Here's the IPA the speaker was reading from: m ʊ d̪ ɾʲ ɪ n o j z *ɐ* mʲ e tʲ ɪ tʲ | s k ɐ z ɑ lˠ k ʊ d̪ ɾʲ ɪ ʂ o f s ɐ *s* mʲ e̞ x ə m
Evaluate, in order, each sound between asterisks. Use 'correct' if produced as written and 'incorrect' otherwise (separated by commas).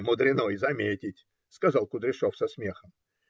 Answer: correct, correct